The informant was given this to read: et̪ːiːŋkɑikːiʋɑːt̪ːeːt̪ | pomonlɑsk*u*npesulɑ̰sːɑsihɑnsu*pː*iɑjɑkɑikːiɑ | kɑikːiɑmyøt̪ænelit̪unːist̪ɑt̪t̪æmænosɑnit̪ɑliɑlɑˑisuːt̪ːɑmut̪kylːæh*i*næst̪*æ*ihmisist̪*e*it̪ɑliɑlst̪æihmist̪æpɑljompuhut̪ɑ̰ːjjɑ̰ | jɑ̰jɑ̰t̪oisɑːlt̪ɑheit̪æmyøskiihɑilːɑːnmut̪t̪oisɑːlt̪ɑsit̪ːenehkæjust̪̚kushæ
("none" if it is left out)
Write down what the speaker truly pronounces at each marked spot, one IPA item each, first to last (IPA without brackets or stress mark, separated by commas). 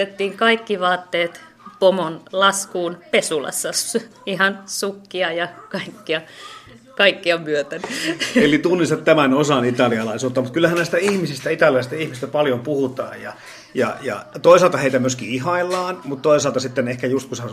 uː, kː, æ, æ, æ